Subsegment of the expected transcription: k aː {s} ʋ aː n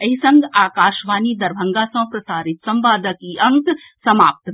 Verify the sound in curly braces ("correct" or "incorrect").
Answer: incorrect